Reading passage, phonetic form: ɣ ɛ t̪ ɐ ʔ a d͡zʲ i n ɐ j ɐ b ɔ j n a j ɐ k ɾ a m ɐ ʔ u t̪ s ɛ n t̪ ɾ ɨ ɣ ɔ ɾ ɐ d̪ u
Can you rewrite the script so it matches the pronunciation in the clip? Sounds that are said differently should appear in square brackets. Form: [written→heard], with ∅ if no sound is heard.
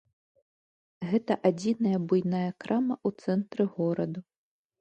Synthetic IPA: ɣ ɛ t̪ ɐ ʔ a d͡zʲ i n ɐ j ɐ b [ɔ→u] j n a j ɐ k ɾ a m ɐ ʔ u t̪ s ɛ n t̪ ɾ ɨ ɣ ɔ ɾ ɐ d̪ u